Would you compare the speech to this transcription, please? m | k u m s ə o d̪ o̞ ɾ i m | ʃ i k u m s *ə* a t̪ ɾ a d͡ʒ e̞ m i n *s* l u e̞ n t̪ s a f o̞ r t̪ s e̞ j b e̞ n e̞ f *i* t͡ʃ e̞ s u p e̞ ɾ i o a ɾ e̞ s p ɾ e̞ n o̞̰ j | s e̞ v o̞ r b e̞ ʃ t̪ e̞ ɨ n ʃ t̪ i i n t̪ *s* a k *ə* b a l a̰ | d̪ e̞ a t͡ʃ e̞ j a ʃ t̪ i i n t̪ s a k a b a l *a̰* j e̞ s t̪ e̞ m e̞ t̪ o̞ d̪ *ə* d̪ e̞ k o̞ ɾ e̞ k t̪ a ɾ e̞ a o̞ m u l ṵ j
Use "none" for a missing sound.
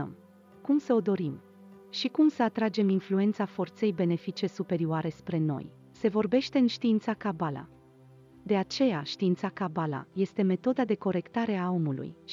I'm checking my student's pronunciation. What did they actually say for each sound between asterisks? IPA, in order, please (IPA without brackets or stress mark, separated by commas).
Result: ə, f, i, s, a, a̰, a